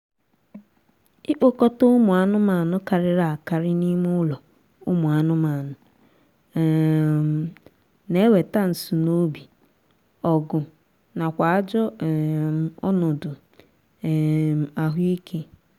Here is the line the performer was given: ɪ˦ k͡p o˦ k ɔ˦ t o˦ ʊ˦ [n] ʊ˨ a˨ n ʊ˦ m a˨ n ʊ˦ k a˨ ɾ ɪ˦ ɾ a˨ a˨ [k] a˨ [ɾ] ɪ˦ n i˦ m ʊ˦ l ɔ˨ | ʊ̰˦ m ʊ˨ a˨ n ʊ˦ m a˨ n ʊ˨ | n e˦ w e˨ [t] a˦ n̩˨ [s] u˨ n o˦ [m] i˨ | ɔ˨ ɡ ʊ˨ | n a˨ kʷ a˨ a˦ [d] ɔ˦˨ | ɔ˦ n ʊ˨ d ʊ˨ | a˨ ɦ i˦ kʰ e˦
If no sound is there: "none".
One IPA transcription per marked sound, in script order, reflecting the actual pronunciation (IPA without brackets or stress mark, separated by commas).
m, k, ɾ, t, s, b, d͡ʒ